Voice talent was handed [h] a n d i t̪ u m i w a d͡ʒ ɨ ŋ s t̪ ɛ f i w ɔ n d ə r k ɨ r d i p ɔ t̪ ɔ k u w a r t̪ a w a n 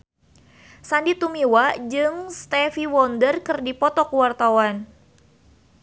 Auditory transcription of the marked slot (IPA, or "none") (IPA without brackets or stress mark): s